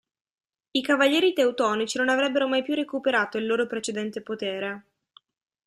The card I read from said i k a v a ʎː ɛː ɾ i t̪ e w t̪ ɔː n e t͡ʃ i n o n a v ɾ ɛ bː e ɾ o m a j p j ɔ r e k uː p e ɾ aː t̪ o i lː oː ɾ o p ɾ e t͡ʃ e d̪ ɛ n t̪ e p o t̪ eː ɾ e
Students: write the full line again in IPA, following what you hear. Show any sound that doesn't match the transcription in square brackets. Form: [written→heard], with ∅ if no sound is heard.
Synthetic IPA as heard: i k a v a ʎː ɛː ɾ i t̪ e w t̪ ɔː n [e→i] t͡ʃ i n o n a v ɾ ɛ bː e ɾ o m a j p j [ɔ→u] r e k [uː→u] p e ɾ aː t̪ o i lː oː ɾ o p ɾ e t͡ʃ e d̪ ɛ n t̪ e p o t̪ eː ɾ e